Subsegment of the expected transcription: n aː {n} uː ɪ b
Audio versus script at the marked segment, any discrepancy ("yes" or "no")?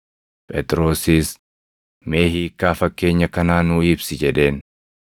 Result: no